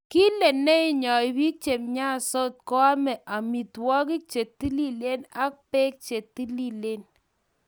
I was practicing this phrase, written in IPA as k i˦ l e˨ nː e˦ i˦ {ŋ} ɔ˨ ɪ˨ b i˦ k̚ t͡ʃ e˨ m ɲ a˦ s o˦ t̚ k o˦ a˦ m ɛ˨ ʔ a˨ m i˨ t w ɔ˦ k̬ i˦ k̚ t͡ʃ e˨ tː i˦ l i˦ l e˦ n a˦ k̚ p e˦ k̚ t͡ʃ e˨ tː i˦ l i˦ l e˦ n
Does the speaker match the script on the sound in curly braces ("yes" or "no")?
no